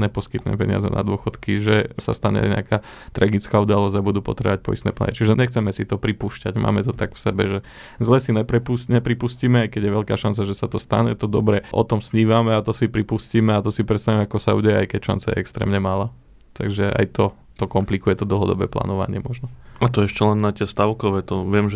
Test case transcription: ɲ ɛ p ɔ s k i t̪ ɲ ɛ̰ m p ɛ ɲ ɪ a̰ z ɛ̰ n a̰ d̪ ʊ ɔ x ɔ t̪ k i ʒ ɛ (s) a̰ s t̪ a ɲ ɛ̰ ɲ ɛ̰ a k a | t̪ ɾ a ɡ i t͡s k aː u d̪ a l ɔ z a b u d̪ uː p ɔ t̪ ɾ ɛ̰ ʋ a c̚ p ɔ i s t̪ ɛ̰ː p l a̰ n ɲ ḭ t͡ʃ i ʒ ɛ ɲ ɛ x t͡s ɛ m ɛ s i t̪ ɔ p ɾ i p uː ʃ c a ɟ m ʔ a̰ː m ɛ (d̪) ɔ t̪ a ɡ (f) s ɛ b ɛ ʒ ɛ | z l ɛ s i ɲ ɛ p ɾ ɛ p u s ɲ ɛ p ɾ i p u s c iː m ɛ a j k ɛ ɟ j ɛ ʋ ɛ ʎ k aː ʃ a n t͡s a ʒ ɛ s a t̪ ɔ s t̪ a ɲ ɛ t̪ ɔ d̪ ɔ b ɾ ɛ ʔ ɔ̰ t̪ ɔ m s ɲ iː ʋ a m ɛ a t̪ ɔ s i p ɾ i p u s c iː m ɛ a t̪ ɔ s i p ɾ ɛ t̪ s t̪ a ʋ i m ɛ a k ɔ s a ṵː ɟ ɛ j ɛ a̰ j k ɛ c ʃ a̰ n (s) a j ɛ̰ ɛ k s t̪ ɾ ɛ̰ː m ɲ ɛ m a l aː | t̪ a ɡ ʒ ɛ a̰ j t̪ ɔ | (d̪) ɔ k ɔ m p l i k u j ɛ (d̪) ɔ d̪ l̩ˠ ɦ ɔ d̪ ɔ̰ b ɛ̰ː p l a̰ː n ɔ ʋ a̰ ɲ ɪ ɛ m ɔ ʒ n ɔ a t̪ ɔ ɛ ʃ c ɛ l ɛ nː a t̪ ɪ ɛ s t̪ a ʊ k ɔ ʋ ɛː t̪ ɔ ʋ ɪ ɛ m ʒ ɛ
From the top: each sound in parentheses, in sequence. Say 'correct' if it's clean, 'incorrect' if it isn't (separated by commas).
correct, incorrect, correct, incorrect, incorrect, incorrect